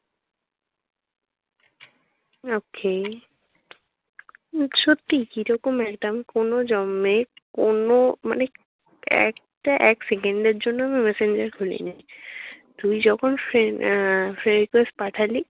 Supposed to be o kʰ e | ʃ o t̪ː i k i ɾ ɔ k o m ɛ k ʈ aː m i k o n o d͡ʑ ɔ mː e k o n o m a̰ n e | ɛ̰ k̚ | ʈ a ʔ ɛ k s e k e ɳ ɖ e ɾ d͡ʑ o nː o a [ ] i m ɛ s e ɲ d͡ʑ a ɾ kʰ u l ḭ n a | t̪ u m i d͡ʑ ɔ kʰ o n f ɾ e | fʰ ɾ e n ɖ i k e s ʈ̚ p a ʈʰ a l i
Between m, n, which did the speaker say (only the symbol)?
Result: m